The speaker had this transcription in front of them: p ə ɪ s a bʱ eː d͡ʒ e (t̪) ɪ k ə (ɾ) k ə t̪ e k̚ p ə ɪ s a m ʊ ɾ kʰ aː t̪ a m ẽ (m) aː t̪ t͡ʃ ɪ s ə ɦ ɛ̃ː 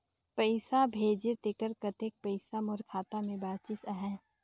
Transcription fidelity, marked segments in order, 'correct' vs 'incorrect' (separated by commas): correct, correct, incorrect